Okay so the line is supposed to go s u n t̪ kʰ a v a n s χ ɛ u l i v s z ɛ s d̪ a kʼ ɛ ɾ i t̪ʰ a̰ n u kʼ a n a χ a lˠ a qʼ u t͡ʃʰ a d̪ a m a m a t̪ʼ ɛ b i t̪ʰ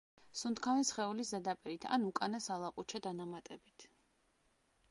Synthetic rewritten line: s u n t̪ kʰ a v ɛ n s χ ɛ u l i s z ɛ d̪ a pʼ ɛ ɾ i t̪ʰ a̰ n u kʼ a n a s a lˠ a qʼ u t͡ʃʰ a d̪ a n a m a t̪ʼ ɛ b i t̪ʰ